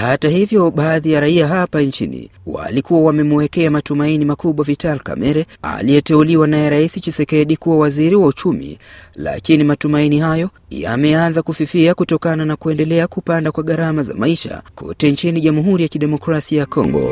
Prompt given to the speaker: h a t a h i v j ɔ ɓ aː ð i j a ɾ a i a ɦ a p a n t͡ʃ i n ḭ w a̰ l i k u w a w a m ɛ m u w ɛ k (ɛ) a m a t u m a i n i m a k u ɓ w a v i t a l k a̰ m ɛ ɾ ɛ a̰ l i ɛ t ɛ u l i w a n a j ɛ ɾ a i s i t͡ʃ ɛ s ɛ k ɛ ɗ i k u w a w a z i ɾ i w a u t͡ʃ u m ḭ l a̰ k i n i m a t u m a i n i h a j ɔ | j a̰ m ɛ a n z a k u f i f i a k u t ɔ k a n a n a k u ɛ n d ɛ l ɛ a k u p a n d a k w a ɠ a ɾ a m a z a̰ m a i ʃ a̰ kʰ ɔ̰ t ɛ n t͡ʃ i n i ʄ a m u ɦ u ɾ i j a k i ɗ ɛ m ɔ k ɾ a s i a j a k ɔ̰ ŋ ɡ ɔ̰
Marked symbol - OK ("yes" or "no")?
yes